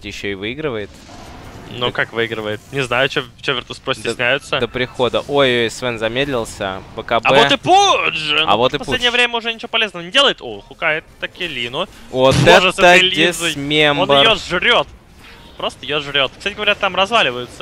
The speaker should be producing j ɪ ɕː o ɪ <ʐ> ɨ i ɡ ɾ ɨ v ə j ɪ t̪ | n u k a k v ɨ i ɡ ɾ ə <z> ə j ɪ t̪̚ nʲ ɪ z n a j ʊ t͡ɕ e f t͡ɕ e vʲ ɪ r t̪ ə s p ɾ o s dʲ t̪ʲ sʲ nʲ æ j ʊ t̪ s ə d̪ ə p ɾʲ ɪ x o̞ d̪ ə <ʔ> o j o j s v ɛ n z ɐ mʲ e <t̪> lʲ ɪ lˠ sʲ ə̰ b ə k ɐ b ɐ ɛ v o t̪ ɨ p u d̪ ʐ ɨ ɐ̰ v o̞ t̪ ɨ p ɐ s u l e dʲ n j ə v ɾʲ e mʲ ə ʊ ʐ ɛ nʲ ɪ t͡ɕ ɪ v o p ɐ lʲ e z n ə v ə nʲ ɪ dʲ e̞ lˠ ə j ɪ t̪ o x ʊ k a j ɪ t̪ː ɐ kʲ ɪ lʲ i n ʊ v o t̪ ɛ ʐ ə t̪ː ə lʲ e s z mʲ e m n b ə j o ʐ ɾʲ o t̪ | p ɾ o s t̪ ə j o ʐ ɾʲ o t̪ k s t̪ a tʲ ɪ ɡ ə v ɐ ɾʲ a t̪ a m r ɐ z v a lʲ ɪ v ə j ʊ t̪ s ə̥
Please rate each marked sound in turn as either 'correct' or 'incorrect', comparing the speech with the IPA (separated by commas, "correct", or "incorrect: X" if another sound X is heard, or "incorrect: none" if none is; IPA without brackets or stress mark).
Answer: incorrect: v, incorrect: v, correct, incorrect: d̪